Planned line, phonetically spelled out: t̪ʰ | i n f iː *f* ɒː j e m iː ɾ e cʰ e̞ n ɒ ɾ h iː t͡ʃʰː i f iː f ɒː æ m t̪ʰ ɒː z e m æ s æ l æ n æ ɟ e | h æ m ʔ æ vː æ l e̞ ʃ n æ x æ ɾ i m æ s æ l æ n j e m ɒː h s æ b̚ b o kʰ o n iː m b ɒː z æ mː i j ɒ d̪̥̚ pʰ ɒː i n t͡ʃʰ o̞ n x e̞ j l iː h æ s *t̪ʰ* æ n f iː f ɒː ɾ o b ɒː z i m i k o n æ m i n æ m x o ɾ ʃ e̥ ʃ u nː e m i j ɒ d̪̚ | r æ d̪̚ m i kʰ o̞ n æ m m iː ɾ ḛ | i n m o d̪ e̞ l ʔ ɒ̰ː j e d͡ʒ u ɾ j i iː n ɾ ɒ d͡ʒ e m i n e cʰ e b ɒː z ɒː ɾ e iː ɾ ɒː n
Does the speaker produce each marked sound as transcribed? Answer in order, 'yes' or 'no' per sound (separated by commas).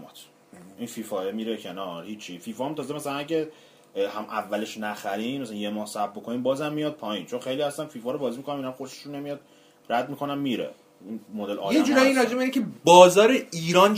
yes, no